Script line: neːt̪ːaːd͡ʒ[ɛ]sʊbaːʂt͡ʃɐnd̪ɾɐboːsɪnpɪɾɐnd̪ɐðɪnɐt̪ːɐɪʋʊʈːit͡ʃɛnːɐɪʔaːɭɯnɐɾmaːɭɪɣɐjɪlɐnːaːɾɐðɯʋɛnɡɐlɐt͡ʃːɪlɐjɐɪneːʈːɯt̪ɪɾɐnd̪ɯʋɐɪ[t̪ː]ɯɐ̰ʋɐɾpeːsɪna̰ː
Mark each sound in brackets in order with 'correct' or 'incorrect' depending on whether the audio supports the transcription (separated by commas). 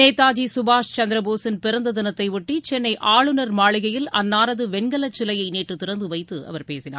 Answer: incorrect, correct